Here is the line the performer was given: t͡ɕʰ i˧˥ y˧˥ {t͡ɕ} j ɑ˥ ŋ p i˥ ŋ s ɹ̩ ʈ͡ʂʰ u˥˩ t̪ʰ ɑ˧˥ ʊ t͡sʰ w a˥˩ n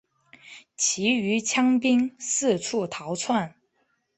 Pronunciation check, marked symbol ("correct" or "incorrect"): incorrect